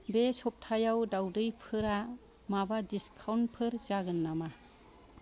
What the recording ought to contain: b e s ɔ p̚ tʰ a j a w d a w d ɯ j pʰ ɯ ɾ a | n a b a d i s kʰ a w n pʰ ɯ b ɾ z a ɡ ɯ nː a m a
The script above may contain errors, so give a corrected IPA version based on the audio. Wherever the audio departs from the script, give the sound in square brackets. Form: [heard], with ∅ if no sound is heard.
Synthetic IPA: b e s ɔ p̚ tʰ a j a w d a w d ɯ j pʰ ɯ ɾ a | [m] a b a d i s kʰ a w n pʰ ɯ [∅] ɾ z a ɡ ɯ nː a m a